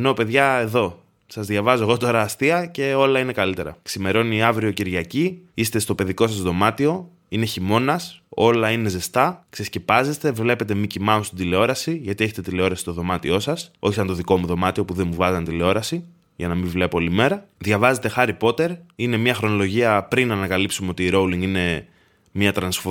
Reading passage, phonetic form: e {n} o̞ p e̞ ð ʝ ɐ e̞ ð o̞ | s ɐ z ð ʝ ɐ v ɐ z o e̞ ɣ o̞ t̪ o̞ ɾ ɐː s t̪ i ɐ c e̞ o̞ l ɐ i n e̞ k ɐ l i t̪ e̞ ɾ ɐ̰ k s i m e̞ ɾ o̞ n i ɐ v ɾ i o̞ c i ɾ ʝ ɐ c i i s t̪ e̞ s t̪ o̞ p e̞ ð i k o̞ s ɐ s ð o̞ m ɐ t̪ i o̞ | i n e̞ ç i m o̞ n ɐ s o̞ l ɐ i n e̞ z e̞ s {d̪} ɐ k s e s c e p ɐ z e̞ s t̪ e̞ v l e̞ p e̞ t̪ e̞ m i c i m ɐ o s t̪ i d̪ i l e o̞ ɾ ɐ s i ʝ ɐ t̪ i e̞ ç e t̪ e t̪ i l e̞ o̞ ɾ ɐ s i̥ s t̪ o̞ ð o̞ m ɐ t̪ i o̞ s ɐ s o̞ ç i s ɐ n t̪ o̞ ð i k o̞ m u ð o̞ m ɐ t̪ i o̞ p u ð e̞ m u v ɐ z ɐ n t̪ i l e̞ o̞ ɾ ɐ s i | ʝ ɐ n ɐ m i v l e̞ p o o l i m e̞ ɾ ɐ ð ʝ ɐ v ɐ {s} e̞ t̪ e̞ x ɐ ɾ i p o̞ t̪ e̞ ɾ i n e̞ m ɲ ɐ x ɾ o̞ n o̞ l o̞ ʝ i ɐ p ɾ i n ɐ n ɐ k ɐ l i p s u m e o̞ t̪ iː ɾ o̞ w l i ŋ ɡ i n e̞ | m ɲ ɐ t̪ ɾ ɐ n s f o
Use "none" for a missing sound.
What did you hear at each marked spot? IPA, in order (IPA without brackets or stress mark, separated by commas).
n, t̪, z